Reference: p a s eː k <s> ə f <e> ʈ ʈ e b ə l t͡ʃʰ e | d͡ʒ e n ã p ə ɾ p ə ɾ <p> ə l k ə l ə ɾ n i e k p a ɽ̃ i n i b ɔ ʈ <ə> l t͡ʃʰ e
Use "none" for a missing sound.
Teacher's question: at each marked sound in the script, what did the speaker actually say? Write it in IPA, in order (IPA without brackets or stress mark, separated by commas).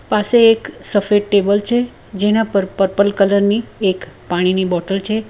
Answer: s, e, p, ə